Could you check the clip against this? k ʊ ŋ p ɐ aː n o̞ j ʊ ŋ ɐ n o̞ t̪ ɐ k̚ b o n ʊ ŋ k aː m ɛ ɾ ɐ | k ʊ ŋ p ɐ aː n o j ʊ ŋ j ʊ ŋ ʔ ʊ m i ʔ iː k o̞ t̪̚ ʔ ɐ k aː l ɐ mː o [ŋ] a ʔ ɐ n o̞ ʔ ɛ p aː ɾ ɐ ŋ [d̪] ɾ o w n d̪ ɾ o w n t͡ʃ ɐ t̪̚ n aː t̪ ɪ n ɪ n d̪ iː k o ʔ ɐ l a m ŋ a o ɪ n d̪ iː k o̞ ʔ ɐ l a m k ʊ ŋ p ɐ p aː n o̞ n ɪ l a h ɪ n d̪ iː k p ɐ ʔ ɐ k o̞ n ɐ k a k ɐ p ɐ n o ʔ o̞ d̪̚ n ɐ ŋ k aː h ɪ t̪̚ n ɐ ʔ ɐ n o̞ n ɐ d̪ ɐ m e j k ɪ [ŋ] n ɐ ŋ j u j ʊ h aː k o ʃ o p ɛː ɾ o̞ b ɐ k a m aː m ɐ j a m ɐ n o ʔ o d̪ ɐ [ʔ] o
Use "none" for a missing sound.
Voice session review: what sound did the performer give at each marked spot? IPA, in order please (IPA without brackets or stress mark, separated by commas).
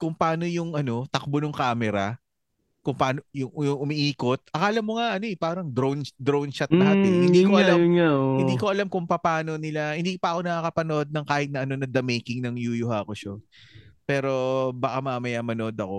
ŋ, d̪, ŋ, k